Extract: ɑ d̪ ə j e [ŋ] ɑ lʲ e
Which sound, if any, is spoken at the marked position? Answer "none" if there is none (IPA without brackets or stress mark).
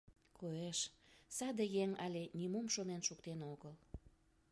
ŋ